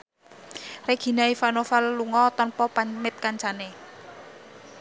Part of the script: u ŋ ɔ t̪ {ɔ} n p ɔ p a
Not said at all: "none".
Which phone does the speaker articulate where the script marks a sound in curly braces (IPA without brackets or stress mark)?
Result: ɔ